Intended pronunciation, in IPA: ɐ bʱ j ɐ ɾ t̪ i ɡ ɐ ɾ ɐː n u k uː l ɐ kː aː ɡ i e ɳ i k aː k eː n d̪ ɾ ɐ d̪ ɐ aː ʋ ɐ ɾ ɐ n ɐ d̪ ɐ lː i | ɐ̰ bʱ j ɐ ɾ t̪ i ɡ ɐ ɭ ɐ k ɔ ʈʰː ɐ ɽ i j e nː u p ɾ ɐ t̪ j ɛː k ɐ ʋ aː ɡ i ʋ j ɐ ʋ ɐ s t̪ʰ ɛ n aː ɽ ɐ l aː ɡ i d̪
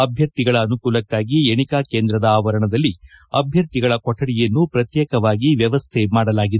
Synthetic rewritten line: ɐ bʱ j ɐ ɾ t̪ i ɡ ɐ ɭ ɐː n u k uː l ɐ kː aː ɡ i e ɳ i k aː k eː n d̪ ɾ ɐ d̪ ɐ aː ʋ ɐ ɾ ɐ ɳ ɐ d̪ ɐ lː i | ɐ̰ bʱ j ɐ ɾ t̪ i ɡ ɐ ɭ ɐ k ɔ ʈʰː ɐ ɽ i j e nː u p ɾ ɐ t̪ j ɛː k ɐ ʋ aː ɡ i ʋ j ɐ ʋ ɐ s t̪ʰ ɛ m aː ɽ ɐ l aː ɡ i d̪